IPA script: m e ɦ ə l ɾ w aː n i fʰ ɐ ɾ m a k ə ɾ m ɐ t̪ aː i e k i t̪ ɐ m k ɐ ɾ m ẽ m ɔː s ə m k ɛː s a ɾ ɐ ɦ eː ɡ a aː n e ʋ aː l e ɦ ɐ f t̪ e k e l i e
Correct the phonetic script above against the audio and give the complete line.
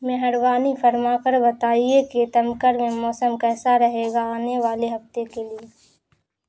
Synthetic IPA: m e ɦ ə ɾ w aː n i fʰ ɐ ɾ m a k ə ɾ b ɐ t̪ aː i e k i t̪ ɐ m k ə ɾ m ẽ m ɔː s ə m k ɛː s a ɾ ɐ ɦ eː ɡ a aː n e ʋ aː l e ɦ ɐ f t̪ e k e l i e